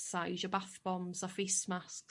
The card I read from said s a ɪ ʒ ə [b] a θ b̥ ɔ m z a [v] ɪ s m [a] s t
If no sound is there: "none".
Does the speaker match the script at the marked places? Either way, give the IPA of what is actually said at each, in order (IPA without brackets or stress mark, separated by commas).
b, f, a